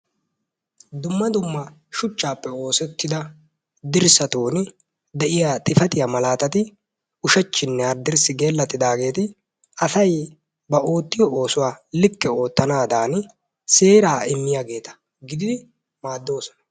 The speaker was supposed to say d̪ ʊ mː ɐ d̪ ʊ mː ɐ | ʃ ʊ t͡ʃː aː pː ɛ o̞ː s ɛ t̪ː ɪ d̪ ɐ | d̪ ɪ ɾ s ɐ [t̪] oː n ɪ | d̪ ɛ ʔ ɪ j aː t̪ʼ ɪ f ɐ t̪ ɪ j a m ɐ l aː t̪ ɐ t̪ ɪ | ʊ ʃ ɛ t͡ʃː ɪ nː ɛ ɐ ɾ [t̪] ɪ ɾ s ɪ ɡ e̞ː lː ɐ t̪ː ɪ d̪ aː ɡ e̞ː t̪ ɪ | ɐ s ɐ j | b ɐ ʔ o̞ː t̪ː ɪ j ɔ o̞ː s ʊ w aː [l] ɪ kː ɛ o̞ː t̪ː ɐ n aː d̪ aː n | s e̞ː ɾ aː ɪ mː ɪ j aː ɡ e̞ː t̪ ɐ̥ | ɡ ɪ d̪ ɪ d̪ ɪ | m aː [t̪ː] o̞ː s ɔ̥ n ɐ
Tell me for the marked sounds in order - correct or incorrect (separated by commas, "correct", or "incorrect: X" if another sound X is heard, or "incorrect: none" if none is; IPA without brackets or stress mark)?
correct, incorrect: d̪, correct, incorrect: d̪ː